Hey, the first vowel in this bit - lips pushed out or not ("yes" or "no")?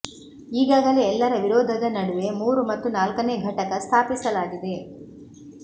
no